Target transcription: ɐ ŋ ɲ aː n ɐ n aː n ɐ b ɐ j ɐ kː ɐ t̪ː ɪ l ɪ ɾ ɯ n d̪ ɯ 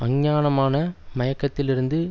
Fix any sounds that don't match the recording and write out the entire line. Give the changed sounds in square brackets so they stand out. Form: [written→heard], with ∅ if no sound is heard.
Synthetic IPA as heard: ɐ ŋ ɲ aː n ɐ [n→m] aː n ɐ [b→m] ɐ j ɐ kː ɐ t̪ː ɪ l ɪ ɾ ɯ n d̪ ɯ